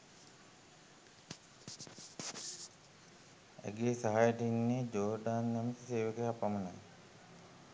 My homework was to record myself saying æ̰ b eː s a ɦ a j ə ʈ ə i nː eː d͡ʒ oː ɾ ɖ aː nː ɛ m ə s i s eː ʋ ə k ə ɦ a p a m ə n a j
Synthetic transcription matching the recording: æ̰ ɡ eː s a ɦ a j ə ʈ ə i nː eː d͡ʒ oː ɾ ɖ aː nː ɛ m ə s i s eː ʋ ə k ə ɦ a p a m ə n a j